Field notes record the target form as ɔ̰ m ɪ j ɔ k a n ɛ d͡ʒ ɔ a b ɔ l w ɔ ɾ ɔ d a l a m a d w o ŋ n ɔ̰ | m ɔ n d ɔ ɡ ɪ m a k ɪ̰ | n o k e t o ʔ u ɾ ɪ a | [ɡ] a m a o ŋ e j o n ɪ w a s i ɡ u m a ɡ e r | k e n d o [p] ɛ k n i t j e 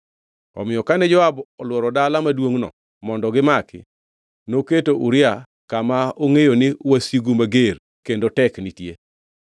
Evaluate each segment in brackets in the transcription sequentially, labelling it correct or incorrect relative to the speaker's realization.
incorrect: k, incorrect: t

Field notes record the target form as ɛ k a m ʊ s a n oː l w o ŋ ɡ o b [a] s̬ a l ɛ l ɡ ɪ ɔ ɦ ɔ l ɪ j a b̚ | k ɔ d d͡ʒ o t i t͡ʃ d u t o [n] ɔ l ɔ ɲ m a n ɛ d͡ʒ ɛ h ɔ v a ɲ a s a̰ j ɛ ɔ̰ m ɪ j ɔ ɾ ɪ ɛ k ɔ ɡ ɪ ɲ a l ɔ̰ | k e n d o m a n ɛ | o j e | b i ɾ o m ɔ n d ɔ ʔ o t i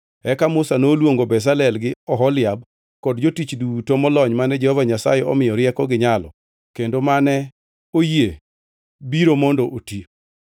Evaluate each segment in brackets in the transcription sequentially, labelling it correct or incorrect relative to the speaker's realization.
incorrect: ɛ, incorrect: m

